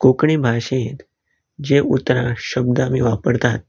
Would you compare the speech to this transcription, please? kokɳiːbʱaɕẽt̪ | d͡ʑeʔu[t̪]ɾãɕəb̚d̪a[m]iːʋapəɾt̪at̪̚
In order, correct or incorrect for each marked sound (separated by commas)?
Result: correct, correct